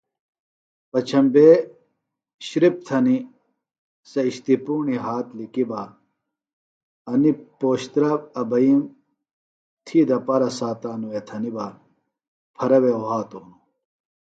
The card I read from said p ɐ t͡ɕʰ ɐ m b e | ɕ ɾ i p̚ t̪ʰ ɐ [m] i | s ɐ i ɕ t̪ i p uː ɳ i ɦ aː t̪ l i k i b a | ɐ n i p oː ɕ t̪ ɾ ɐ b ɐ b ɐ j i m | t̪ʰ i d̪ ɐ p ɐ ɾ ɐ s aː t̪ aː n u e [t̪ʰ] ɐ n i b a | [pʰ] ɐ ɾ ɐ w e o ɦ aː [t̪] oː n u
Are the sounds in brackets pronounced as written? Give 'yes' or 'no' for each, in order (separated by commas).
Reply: no, yes, yes, yes